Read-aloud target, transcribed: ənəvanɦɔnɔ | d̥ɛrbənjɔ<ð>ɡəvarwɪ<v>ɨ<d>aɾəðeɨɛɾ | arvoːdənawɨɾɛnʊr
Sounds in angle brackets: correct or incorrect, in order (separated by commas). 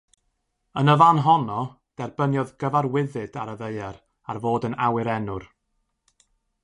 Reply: correct, incorrect, correct